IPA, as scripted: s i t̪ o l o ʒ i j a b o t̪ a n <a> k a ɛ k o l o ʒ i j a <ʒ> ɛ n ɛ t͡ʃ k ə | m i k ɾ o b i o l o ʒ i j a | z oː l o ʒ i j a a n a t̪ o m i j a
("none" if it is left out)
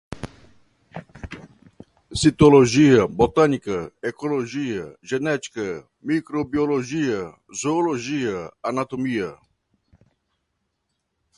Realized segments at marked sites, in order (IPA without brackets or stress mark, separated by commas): i, ʒ